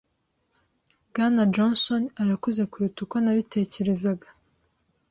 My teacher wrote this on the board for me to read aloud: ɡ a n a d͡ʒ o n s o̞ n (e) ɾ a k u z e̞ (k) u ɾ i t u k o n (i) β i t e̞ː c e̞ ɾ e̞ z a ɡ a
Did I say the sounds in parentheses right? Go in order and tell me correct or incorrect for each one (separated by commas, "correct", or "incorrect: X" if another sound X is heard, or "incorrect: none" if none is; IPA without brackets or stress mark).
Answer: incorrect: a, correct, incorrect: a